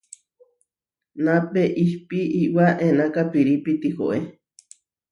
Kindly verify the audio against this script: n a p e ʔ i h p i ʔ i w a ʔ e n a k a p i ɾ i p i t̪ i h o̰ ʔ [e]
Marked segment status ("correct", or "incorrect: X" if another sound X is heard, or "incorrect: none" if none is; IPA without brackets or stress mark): correct